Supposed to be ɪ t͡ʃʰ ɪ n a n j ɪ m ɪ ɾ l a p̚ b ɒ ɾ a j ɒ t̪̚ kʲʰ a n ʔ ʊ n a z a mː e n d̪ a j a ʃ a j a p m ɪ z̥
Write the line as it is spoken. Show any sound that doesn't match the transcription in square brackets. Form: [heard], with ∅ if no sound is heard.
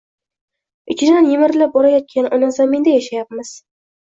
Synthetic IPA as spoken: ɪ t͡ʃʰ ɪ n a n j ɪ m ɪ ɾ l a p̚ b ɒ ɾ a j ɒ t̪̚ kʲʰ a n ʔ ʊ n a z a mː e n d̪ a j a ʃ a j a p m ɪ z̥